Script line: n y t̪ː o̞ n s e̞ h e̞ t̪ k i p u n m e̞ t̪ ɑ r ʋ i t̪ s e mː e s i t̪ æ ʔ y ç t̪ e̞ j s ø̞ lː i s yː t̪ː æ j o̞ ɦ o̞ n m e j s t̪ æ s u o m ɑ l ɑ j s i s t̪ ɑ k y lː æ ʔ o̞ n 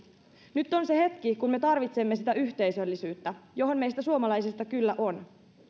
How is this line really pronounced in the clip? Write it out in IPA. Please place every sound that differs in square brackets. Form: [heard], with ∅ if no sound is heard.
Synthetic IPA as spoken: n y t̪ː o̞ n s e̞ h e̞ t̪ k i [k] u n m e̞ t̪ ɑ r ʋ i t̪ s e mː e s i t̪ æ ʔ y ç t̪ e̞ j s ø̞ lː i s yː t̪ː æ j o̞ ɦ o̞ n m e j s t̪ æ s u o m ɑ l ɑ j s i s t̪ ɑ k y lː æ ʔ o̞ n